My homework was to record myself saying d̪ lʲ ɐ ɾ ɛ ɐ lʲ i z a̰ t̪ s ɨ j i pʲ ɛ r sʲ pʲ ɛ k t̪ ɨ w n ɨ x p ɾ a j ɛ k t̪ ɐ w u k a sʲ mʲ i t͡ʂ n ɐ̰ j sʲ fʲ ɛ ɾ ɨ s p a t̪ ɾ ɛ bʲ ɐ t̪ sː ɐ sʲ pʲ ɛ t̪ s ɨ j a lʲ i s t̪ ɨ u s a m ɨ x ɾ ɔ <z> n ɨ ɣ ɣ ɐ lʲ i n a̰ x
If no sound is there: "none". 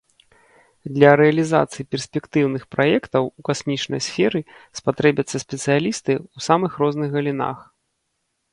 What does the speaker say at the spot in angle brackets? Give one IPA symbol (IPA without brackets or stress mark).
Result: z